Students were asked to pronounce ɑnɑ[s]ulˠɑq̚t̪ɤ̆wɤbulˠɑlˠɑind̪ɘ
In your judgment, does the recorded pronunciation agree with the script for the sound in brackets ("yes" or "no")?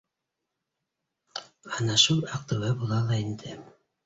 no